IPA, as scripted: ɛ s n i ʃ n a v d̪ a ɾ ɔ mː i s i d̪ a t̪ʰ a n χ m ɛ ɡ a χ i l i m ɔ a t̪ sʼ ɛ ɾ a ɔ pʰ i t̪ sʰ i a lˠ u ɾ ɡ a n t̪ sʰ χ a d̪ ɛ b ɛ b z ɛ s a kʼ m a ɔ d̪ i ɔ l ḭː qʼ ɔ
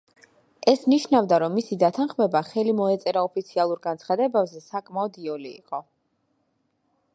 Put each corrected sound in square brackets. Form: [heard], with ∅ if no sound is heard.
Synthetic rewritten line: ɛ s n i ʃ n a v d̪ a ɾ ɔ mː i s i d̪ a t̪ʰ a n χ m ɛ [b] a χ [ɛ] l i m ɔ [ɛ] t̪ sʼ ɛ ɾ a ɔ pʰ i t̪ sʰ i a lˠ u ɾ ɡ a n t̪ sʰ χ a d̪ ɛ b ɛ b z ɛ s a kʼ m a ɔ d̪ i ɔ l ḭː qʼ ɔ